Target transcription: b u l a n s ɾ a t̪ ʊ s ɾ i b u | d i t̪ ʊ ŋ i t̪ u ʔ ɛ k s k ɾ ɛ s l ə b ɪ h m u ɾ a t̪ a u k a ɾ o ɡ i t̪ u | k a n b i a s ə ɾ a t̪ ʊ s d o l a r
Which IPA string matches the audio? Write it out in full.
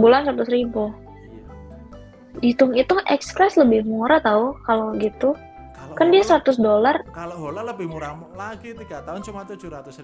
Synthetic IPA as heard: b u l a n s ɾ a t̪ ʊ s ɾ i b u | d i t̪ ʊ ŋ i t̪ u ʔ ɛ k s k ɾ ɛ s l ə b ɪ h m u ɾ a t̪ a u k a l o ɡ i t̪ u | k a n d i a s ə ɾ a t̪ ʊ s d o l a r